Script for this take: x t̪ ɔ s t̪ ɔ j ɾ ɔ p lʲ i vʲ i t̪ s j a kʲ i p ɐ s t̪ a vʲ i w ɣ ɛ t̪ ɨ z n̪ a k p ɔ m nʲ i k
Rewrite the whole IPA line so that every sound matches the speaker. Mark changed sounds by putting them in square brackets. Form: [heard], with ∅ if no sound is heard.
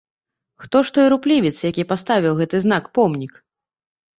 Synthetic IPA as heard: x t̪ ɔ [ʂ] t̪ ɔ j ɾ [u] p lʲ i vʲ i t̪ s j a kʲ i p [a] s t̪ a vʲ i w ɣ ɛ t̪ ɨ z n̪ a k p ɔ m nʲ i k